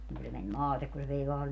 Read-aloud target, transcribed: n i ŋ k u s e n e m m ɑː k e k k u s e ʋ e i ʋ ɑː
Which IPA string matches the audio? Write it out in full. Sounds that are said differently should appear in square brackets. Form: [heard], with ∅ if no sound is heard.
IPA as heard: n i ŋ k u s e [m] e [n] m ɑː [t] e k k u s e ʋ e i ʋ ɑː